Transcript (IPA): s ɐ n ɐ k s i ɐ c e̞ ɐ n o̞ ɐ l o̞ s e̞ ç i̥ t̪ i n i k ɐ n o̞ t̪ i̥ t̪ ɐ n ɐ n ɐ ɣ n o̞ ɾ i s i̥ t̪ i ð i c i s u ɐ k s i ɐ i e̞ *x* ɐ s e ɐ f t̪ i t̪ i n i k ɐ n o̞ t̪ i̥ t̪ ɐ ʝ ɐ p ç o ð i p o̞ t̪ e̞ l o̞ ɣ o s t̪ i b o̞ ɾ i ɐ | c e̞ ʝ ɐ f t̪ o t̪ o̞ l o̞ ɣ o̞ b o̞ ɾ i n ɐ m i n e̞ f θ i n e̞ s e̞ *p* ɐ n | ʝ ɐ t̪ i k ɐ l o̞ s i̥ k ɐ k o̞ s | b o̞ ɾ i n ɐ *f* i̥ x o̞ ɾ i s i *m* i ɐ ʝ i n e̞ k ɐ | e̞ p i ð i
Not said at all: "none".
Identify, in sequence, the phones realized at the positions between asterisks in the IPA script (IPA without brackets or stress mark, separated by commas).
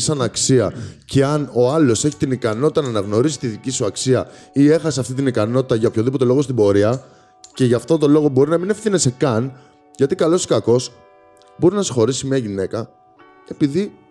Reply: x, k, s, m